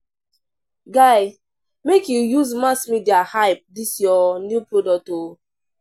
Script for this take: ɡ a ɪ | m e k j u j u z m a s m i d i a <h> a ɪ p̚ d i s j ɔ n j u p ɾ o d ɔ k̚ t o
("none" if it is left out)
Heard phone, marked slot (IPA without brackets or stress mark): h